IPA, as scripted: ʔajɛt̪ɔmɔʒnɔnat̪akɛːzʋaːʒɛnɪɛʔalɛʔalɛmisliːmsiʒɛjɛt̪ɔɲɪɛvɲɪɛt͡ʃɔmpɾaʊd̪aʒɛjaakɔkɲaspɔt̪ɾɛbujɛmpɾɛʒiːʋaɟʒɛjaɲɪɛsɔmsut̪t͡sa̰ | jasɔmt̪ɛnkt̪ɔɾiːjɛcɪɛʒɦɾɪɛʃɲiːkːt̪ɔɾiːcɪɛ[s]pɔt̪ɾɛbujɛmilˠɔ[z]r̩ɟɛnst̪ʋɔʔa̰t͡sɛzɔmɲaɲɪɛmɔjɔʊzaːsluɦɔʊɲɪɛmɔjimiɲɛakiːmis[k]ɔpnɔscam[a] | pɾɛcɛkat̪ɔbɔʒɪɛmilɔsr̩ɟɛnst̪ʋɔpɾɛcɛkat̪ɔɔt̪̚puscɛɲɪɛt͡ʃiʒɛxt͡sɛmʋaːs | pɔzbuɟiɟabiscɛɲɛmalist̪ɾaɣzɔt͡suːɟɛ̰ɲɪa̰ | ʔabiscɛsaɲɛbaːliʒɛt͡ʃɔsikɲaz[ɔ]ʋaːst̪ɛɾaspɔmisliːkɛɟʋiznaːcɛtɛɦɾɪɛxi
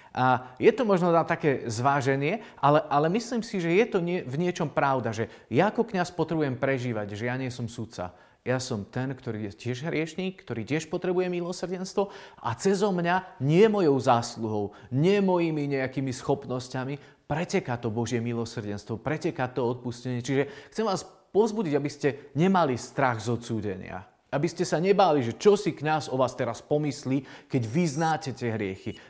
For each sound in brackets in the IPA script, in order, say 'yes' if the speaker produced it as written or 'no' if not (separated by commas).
no, no, no, no, yes